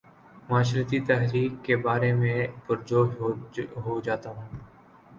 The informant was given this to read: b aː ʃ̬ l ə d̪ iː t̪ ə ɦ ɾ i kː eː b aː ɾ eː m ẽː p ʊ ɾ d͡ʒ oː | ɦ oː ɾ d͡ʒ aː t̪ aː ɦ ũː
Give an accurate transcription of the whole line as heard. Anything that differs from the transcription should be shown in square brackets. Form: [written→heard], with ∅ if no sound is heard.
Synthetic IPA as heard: [b→m] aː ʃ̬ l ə [d̪→t̪] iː t̪ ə ɦ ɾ [i→iː] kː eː b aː ɾ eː m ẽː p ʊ ɾ d͡ʒ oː | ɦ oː [ɾ→∅] d͡ʒ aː t̪ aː ɦ ũː

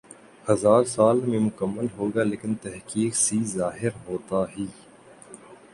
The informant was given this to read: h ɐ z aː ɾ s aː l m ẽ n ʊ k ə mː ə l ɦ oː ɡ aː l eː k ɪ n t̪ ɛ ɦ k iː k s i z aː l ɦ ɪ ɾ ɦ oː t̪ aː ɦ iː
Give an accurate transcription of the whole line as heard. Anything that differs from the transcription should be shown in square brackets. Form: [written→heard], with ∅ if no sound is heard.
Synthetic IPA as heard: h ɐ z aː ɾ s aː l m ẽ [n→m] ʊ k ə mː ə l ɦ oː ɡ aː l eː k ɪ n t̪ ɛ ɦ k iː k s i z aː [l→∅] ɦ ɪ ɾ ɦ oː t̪ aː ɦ iː

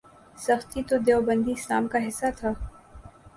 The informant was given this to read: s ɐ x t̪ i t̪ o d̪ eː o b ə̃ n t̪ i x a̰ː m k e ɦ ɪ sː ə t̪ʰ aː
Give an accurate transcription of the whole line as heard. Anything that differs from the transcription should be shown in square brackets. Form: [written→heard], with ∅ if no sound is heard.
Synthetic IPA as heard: s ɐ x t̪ i t̪ o d̪ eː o b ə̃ n [t̪→d̪] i [x→s] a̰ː m k [e→a] ɦ ɪ sː [ə→a] t̪ʰ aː

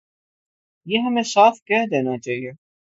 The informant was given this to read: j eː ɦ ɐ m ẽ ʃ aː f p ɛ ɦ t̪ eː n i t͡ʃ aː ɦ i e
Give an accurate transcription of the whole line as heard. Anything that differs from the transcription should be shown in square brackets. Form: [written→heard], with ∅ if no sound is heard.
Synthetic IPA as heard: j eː ɦ ɐ m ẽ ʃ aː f [p→k] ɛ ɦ [t̪→d̪] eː n [i→a] t͡ʃ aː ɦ i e

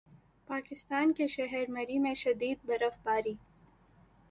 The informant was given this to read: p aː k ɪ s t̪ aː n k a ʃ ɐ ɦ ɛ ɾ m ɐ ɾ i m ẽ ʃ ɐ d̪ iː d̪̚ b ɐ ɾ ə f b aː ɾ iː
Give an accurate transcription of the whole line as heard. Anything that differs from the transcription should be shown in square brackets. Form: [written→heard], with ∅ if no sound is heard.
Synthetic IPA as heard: p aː k ɪ s t̪ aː n k [a→e] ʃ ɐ ɦ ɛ ɾ m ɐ ɾ i m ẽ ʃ ɐ d̪ iː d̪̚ b ɐ ɾ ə f b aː ɾ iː

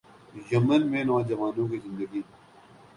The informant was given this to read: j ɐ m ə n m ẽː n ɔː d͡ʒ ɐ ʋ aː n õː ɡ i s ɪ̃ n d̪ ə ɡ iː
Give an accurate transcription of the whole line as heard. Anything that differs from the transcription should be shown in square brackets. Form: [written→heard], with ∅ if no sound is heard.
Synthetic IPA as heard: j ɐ m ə n m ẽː n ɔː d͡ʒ ɐ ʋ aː n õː [ɡ→k] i [s→z] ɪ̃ n d̪ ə ɡ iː

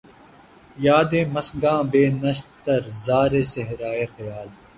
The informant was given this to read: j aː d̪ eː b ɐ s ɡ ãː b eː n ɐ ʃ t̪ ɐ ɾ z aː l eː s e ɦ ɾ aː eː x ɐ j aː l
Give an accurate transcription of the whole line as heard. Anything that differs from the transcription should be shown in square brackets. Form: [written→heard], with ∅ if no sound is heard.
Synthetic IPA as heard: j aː d̪ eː [b→m] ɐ s ɡ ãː b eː n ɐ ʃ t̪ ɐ ɾ z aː [l→ɾ] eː s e ɦ ɾ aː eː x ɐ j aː l

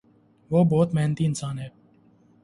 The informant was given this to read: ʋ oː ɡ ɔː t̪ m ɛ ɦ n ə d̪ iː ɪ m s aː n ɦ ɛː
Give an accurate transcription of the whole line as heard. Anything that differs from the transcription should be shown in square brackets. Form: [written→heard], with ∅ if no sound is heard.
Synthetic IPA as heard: ʋ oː [ɡ→b] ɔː t̪ m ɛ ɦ n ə [d̪→t̪] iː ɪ [m→n] s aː n ɦ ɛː

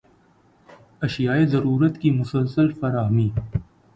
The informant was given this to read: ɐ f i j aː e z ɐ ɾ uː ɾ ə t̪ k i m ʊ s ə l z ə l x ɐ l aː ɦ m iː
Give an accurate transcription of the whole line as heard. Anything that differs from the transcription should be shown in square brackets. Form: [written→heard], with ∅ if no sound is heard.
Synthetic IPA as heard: ɐ [f→ʃ] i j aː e z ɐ ɾ uː ɾ ə t̪ k i m ʊ s ə l [z→s] ə l [x→f] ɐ [l→ɾ] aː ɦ m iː

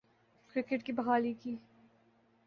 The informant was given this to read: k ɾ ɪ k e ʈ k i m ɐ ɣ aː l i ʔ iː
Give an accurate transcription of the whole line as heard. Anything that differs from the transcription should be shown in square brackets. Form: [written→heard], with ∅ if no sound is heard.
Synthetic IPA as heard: k ɾ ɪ k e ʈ k i [m→b] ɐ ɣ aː l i [ʔ→k] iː

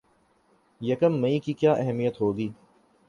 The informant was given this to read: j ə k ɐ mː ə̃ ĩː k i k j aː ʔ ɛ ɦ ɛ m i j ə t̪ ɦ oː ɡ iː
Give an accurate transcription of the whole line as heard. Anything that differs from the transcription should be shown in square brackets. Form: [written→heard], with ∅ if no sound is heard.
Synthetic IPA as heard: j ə k [ɐ→ə] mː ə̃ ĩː k i k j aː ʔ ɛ ɦ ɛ m i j ə t̪ ɦ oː ɡ iː

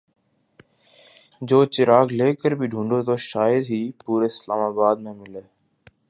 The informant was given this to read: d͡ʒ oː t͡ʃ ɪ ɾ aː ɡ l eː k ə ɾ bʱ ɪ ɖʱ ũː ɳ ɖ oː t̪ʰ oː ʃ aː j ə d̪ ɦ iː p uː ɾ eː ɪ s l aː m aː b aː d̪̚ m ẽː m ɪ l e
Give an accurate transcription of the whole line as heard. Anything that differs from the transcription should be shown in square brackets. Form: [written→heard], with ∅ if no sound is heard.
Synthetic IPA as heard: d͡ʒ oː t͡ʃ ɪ ɾ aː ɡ l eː k ə ɾ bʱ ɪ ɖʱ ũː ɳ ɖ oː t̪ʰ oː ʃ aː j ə d̪ ɦ iː p uː ɾ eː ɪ s l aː m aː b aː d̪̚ m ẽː m ɪ l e

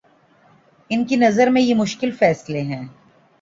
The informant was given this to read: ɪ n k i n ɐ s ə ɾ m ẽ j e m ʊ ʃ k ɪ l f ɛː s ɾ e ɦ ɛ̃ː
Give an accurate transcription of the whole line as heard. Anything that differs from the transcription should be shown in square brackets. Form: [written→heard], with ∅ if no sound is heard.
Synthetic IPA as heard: ɪ n k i n ɐ [s→z] ə ɾ m ẽ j e m ʊ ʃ k ɪ l f ɛː s [ɾ→l] e ɦ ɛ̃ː

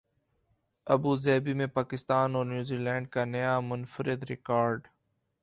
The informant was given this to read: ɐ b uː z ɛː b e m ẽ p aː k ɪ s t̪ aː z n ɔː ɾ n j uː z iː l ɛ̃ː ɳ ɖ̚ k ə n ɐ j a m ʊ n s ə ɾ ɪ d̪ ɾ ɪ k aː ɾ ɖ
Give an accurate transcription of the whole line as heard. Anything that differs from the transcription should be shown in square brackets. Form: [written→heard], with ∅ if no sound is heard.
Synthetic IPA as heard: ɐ b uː z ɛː b [e→i] m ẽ p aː k ɪ s t̪ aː [z→∅] n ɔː ɾ n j uː z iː l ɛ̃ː ɳ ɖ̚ k [ə→a] n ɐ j a m ʊ n [s→f] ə ɾ ɪ d̪ ɾ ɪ k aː ɾ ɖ

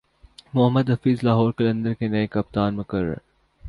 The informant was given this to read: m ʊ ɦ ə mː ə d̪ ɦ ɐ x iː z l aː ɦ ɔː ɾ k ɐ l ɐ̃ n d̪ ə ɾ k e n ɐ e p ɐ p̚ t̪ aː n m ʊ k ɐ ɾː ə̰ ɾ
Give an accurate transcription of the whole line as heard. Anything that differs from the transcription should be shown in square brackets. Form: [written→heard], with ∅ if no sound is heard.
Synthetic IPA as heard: m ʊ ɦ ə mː ə d̪ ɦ ɐ [x→f] iː z l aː ɦ ɔː ɾ k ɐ l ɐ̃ n d̪ ə ɾ k e n ɐ e [p→k] ɐ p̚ t̪ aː n m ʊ k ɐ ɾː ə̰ ɾ

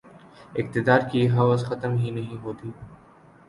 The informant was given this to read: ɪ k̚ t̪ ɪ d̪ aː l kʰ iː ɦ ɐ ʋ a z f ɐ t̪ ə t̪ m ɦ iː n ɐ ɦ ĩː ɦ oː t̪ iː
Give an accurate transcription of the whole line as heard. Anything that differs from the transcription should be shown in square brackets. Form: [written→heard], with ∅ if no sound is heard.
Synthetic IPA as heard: ɪ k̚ t̪ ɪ d̪ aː [l→ɾ] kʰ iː ɦ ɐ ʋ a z [f→x] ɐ t̪ ə [t̪→∅] m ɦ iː n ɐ ɦ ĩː ɦ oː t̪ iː

